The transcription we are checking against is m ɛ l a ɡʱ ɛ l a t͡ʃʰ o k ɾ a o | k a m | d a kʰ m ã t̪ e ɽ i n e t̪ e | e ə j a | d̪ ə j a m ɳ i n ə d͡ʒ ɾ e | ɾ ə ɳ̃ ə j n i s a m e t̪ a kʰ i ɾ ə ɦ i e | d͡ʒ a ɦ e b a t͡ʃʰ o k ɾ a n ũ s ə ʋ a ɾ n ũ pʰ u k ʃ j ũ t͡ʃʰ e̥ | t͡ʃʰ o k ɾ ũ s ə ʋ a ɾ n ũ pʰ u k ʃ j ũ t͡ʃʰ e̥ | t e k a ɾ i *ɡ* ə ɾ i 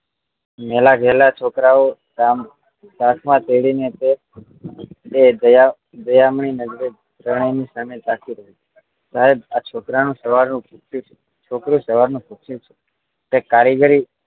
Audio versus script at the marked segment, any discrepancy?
no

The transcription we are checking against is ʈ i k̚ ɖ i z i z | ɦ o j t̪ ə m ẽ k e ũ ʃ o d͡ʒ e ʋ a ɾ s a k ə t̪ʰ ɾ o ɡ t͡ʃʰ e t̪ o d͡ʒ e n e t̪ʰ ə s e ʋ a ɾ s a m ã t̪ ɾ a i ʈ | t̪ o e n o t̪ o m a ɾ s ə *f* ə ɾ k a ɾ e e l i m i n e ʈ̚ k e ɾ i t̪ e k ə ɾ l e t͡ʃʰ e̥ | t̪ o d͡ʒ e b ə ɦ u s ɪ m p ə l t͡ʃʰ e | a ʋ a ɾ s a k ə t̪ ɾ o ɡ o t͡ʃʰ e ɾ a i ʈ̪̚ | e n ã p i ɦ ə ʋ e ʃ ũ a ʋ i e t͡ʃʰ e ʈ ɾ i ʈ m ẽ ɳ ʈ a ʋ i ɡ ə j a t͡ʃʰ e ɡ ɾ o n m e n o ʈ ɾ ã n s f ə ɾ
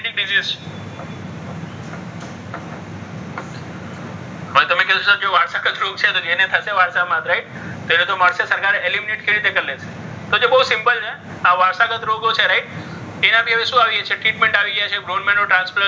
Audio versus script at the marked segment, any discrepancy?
yes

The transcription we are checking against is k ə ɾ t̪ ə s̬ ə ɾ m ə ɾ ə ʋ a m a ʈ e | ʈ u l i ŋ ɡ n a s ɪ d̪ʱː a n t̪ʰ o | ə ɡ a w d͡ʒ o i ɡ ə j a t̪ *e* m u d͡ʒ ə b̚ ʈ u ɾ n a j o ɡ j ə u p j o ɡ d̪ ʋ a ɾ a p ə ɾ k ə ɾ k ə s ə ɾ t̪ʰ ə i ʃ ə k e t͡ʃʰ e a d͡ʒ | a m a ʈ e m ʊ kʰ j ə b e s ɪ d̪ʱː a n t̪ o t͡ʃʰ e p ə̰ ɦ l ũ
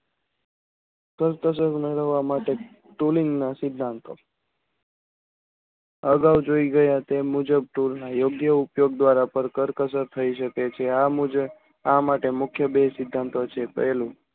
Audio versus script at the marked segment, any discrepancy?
no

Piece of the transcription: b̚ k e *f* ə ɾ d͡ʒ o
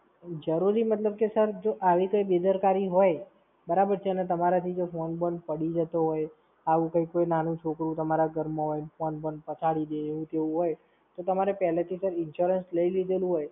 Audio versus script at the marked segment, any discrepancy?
yes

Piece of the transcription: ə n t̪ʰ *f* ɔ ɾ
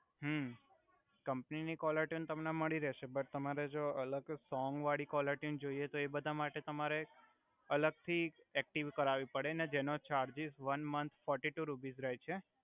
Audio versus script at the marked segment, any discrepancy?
no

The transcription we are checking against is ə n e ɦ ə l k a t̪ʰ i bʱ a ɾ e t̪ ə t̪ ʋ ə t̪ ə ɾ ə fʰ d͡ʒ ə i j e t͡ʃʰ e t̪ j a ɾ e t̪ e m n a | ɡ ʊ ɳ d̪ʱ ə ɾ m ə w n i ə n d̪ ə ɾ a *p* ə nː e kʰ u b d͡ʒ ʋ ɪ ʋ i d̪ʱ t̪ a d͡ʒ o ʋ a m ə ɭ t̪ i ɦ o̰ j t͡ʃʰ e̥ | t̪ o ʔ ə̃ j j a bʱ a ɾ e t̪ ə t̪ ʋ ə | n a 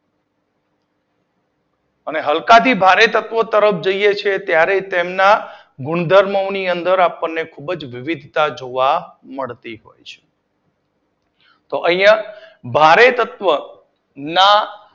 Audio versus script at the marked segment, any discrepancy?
no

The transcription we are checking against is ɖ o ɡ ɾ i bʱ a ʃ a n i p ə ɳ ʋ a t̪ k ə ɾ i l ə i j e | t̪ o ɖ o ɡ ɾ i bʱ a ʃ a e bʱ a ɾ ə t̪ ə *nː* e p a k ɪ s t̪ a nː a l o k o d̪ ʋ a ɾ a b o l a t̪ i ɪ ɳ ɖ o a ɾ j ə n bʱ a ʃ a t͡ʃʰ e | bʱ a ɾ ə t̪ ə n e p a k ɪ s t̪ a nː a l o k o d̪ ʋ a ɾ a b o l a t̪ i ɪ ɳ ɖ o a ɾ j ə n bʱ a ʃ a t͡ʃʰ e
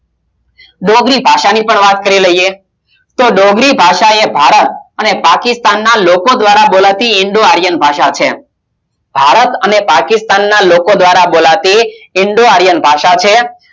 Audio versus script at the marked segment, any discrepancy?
yes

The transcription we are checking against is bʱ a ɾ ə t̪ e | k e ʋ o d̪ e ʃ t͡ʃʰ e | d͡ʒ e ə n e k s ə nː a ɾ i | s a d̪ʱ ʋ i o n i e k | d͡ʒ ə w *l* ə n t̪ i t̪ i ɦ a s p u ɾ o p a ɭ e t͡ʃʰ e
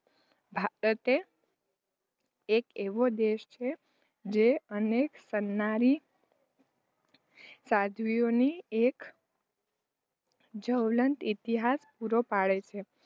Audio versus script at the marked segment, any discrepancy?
no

